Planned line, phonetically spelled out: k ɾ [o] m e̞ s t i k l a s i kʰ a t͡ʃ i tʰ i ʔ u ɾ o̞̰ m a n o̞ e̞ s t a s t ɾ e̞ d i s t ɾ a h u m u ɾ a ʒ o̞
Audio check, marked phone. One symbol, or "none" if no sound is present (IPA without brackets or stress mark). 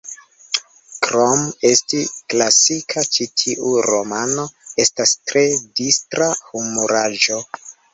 o